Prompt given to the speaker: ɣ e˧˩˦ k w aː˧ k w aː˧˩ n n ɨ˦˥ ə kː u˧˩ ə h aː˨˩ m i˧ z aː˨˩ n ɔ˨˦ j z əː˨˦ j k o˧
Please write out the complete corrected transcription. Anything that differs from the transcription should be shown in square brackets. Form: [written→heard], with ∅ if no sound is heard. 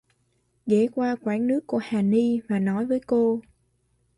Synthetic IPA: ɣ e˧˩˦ k w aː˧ k w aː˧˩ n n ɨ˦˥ ə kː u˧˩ ə h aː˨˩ [m→n] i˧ [z→v] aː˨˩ n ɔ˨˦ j [z→v] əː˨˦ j k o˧